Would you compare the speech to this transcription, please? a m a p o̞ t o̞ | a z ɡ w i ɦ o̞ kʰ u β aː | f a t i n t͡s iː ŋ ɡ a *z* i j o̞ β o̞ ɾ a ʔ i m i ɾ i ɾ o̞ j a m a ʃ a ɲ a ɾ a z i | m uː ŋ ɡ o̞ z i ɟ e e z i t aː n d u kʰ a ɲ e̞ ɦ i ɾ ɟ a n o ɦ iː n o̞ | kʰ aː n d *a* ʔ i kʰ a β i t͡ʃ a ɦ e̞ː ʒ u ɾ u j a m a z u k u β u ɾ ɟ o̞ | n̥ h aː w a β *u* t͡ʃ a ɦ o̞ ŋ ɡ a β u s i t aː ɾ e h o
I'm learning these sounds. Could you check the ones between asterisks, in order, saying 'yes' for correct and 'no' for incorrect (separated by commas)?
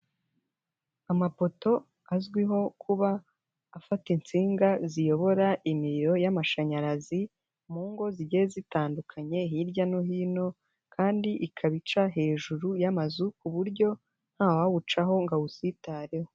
yes, no, yes